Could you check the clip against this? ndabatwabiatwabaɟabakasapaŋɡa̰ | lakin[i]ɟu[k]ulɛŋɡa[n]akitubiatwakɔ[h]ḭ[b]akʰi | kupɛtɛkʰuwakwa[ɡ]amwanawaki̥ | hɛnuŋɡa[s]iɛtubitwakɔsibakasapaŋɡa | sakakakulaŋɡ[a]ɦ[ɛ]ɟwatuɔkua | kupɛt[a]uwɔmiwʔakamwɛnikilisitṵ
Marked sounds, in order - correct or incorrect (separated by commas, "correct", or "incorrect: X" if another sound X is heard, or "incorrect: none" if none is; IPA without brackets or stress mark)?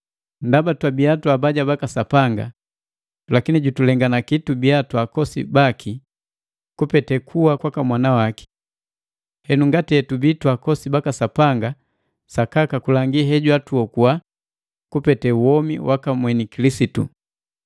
correct, incorrect: t, correct, incorrect: s, correct, incorrect: k, incorrect: t, incorrect: i, correct, incorrect: ɛ